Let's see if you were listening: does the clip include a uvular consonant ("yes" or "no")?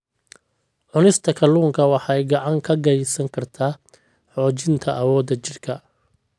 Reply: no